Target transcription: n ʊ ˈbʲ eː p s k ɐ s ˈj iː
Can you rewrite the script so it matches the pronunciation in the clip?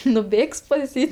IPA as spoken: n ʊ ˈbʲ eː k s p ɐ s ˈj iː